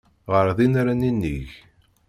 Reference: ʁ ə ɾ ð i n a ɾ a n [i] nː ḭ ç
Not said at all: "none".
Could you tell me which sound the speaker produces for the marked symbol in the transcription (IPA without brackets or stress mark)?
i